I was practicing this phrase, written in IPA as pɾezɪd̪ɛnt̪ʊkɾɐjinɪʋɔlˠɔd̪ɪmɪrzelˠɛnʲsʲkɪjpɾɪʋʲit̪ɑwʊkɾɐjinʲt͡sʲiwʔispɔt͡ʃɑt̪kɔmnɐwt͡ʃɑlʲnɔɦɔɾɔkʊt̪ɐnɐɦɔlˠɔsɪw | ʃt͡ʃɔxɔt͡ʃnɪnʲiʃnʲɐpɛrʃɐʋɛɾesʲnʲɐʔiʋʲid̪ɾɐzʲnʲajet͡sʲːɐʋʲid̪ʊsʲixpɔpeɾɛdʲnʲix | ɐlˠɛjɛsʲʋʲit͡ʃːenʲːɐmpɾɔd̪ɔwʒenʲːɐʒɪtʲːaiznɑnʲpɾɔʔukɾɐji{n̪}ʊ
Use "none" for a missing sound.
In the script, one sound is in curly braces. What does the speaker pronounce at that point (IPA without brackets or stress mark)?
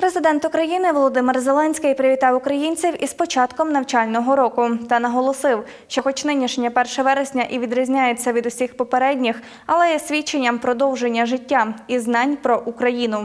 n̪